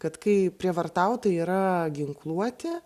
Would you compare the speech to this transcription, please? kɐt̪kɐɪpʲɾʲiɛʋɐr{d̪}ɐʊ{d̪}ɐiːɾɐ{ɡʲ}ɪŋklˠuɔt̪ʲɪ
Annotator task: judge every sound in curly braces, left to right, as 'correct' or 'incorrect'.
incorrect, incorrect, correct

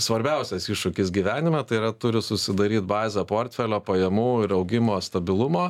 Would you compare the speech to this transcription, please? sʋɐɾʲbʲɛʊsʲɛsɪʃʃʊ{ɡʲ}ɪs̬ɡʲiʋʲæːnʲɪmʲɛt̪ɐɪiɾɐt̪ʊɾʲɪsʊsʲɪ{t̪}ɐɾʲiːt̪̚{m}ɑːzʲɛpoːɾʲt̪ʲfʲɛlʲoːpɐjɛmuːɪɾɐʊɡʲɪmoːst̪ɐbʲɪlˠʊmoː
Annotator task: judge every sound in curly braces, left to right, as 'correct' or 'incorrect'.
incorrect, incorrect, incorrect

